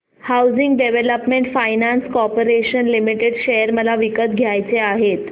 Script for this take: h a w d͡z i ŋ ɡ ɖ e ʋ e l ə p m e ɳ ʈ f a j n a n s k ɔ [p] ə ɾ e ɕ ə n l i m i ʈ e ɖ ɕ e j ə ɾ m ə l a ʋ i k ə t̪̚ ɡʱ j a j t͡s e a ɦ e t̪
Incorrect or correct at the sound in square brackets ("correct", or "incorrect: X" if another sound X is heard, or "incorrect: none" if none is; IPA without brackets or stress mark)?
correct